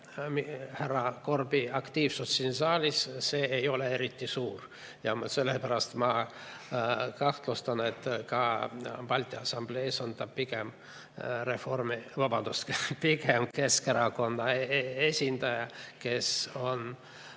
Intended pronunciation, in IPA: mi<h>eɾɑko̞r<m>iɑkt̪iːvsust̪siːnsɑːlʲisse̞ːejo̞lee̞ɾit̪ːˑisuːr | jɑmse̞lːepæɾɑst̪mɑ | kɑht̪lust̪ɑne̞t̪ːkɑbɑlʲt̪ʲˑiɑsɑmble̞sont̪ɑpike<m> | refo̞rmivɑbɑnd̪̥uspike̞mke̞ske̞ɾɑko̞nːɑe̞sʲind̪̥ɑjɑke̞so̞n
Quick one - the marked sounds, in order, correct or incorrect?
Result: correct, incorrect, correct

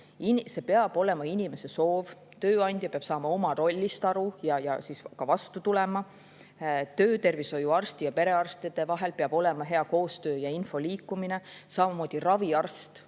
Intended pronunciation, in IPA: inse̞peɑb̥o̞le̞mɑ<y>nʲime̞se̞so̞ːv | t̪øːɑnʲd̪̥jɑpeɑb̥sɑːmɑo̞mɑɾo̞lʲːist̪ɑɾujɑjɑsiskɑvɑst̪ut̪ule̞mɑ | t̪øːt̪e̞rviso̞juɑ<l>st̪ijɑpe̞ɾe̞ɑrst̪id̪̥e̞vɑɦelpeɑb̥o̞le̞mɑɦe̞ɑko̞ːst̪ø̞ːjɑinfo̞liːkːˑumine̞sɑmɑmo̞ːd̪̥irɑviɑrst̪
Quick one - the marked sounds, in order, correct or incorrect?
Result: incorrect, incorrect

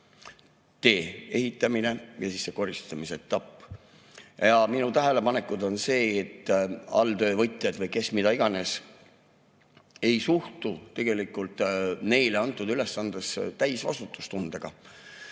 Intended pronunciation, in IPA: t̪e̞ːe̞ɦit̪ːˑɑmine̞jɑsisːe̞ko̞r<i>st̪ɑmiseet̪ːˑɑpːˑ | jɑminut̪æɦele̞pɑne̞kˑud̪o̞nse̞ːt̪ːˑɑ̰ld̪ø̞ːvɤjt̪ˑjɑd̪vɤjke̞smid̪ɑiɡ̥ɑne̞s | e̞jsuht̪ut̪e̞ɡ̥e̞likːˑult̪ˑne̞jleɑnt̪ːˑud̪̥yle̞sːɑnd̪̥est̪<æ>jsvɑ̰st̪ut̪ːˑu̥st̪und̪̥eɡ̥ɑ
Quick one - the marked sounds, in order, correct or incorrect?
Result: correct, correct

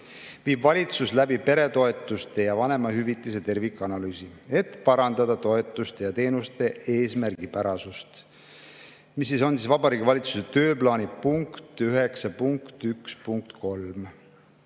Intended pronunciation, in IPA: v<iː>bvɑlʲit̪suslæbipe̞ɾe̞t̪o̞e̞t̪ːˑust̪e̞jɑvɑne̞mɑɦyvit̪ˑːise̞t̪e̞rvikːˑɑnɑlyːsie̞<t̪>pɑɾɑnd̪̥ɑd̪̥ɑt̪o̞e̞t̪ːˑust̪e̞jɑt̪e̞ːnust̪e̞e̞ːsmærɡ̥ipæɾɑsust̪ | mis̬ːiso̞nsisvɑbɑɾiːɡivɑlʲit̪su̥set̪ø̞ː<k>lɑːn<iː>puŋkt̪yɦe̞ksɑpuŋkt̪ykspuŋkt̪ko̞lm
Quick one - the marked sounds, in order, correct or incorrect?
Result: correct, correct, incorrect, incorrect

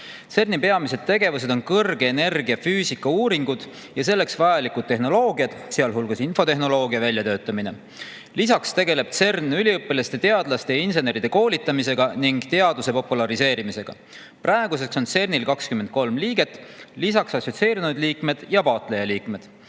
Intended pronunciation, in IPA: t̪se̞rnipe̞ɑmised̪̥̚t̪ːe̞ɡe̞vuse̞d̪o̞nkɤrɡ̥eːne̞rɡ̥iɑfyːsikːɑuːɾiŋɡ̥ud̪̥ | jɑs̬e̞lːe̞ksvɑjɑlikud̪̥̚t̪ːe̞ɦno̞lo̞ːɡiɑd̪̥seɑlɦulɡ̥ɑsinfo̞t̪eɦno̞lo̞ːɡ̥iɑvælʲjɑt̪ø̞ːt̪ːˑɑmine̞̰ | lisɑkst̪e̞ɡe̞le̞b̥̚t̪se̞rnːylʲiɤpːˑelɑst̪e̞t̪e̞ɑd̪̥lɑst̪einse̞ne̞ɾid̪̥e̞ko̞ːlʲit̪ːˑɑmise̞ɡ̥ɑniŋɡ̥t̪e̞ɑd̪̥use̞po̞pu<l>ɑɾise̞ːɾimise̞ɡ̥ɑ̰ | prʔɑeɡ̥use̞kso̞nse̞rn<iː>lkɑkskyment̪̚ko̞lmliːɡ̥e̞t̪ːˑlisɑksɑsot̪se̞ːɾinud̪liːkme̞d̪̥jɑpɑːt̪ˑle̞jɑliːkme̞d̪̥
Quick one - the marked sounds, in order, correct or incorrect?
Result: correct, incorrect

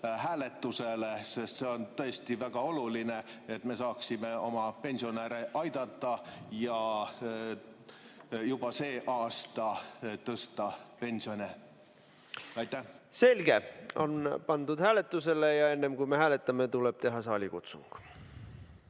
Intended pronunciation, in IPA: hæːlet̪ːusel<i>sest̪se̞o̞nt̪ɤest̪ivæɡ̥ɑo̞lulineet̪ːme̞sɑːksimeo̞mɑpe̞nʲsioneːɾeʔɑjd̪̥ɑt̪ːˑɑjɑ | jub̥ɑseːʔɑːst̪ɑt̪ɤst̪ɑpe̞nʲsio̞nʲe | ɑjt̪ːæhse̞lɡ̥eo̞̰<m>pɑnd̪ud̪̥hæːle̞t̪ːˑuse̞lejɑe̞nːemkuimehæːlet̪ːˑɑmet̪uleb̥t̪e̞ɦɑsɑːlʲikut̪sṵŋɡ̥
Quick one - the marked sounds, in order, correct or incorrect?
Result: incorrect, incorrect

